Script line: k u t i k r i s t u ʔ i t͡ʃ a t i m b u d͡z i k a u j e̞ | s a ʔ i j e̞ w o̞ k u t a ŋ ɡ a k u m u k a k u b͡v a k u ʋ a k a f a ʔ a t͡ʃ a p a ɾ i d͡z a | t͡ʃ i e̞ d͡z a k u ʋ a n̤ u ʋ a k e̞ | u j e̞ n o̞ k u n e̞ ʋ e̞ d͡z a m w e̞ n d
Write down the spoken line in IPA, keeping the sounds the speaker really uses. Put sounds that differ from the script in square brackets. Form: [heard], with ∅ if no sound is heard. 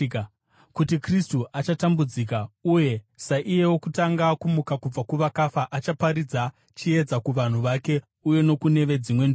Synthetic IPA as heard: k u t i k r i s t u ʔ [a] t͡ʃ a t [a] m b u d͡z i k a u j e̞ | s a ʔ i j e̞ w o̞ k u t a ŋ ɡ a k u m u k a k u b͡v a k u ʋ a k a f a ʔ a t͡ʃ a p a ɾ i d͡z a | t͡ʃ i e̞ d͡z a k u ʋ a n̤ u ʋ a k e̞ | u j e̞ n o̞ k u n e̞ ʋ e̞ d͡z [i] m w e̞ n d

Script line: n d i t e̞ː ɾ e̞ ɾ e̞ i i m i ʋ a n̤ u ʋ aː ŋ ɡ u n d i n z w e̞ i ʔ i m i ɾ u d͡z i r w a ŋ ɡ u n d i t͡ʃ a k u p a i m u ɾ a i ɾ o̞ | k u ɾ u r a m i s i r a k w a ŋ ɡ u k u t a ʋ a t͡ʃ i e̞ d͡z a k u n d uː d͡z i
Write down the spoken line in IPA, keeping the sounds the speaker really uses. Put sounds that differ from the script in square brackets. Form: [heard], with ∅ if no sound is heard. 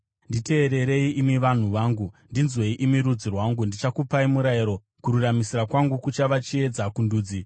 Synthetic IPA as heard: n d i t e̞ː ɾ e̞ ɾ e̞ i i m i ʋ a n̤ u ʋ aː ŋ ɡ u n d i n z w e̞ i ʔ i m i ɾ u d͡z i r w a ŋ ɡ u n d i t͡ʃ a k u p a i m u ɾ a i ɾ o̞ | k u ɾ u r a m i s i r a k w a ŋ ɡ u k u [t͡ʃ] a ʋ a t͡ʃ i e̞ d͡z a k u n d uː d͡z i

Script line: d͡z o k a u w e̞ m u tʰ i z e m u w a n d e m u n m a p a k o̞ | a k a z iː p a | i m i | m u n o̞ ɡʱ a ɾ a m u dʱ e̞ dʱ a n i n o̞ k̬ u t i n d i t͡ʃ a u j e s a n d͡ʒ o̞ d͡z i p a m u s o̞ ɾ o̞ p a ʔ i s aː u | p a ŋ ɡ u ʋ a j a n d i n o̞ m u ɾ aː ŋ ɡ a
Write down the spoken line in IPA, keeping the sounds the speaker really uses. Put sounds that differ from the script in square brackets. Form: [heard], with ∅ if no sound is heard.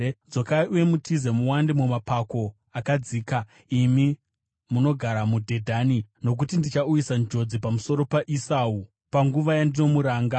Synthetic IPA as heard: d͡z o k a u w e̞ m u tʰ i z e m u w a n d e m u [∅] m a p a k o̞ | a k a [d͡z] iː [k] a | i m i | m u n o̞ ɡʱ a ɾ a m u dʱ e̞ dʱ a n i n o̞ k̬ u t i n d i t͡ʃ a u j [i] s a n d͡ʒ o̞ d͡z i p a m u s o̞ ɾ o̞ p a ʔ i s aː u | p a ŋ ɡ u ʋ a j a n d i n o̞ m u ɾ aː ŋ ɡ a

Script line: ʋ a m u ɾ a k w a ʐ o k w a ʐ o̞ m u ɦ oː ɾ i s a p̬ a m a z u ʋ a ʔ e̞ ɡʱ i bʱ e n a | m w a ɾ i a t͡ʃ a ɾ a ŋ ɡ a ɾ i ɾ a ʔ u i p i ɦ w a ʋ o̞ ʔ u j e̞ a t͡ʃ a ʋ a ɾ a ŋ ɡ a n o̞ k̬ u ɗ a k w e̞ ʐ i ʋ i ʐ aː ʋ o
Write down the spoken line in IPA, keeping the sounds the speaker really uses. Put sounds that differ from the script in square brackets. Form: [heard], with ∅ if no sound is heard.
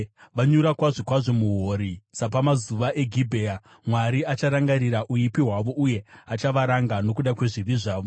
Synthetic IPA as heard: ʋ a [ɲ] u ɾ a k w a ʐ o k w a ʐ o̞ m u ɦ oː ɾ i s a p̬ a m a z u ʋ a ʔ e̞ ɡʱ i bʱ e [∅] a | m w a ɾ i a t͡ʃ a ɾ a ŋ ɡ a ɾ i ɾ a ʔ u i p i ɦ w a ʋ o̞ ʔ u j e̞ a t͡ʃ a ʋ a ɾ a ŋ ɡ a n o̞ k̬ u ɗ a k w e̞ ʐ i ʋ i ʐ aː ʋ o

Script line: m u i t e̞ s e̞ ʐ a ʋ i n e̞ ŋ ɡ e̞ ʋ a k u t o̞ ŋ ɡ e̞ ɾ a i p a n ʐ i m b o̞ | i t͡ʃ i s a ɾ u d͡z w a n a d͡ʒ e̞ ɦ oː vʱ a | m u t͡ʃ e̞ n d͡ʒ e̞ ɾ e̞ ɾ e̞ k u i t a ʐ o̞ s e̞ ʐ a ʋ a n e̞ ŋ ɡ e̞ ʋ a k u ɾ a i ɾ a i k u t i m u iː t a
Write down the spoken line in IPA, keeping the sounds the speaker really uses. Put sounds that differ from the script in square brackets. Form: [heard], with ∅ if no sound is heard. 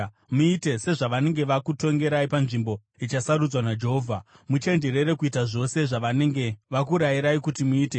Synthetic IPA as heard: m u i t e̞ s e̞ ʐ a ʋ [a] n e̞ ŋ ɡ e̞ ʋ a k u t o̞ ŋ ɡ e̞ ɾ a i p a n ʐ i m b o̞ | i t͡ʃ [a] s a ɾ u d͡z w a n a d͡ʒ e̞ ɦ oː vʱ a | m u t͡ʃ e̞ n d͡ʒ e̞ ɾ e̞ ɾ e̞ k u i t a ʐ o̞ s e̞ ʐ a ʋ a n e̞ ŋ ɡ e̞ ʋ a k u ɾ a i ɾ a i k u t i m u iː t [e]

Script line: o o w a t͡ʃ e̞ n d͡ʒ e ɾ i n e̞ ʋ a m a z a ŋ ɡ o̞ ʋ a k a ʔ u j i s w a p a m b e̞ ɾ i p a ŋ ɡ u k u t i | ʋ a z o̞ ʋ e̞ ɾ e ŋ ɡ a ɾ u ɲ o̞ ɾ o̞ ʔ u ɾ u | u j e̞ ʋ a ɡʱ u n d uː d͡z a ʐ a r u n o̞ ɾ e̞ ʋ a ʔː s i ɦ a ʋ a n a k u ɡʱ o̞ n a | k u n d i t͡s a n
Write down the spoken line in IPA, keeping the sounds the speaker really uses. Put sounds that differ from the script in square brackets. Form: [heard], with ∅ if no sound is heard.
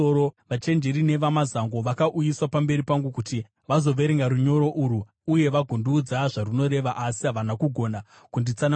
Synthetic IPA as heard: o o [ʋ] a t͡ʃ e̞ n d͡ʒ e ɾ i n e̞ ʋ a m a z a ŋ ɡ o̞ ʋ a k a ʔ u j i s w a p a m b e̞ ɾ i p a ŋ ɡ u k u t i | ʋ a z o̞ ʋ e̞ ɾ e ŋ ɡ a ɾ u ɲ o̞ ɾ o̞ ʔ u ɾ u | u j e̞ ʋ a ɡʱ u n d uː d͡z a ʐ a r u n o̞ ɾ e̞ ʋ a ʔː s i ɦ a ʋ a n a k u ɡʱ o̞ n a | k u n d i t͡s a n

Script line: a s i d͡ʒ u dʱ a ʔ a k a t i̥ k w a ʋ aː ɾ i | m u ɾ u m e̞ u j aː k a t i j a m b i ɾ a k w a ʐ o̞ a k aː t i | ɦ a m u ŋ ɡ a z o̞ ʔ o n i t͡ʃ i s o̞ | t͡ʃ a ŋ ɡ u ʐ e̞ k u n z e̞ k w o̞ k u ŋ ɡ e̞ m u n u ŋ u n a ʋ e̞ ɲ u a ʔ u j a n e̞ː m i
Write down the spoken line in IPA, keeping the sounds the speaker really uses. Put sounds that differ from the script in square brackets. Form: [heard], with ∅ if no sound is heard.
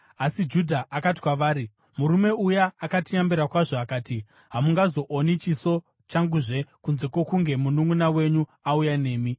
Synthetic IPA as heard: a s i d͡ʒ u dʱ a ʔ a k a t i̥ k w a ʋ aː ɾ i | m u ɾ u m e̞ u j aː k a t i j a m b i ɾ a k w a ʐ o̞ a k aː t i | ɦ a m u ŋ ɡ a z o̞ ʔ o n i t͡ʃ i s o̞ | t͡ʃ a ŋ ɡ u ʐ e̞ k u n z e̞ k w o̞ k u ŋ ɡ e̞ m u n u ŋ u n a [w] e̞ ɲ u a [∅] u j a n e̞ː m i

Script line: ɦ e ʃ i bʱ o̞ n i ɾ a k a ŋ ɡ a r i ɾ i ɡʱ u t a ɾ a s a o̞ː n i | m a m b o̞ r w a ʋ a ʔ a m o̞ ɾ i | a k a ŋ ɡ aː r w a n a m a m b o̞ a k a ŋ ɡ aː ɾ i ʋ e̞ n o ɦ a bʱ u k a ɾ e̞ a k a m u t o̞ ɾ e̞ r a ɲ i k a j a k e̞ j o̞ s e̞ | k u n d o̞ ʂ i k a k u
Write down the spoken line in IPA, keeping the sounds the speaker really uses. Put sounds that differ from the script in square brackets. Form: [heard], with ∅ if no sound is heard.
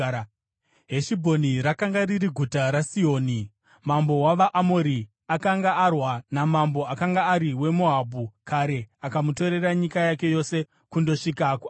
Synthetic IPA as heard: ɦ e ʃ i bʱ o̞ n i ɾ a k a ŋ ɡ a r i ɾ i ɡʱ u t a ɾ a s [i] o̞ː n i | m a m b o̞ [∅] w a ʋ a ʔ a m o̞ ɾ i | a k a ŋ ɡ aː r w a n a m a m b o̞ a k a ŋ ɡ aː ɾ i [w] e̞ [m] o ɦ a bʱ u k a ɾ e̞ a k a m u t o̞ ɾ e̞ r a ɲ i k a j a k e̞ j o̞ s e̞ | k u n d o̞ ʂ i k a k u

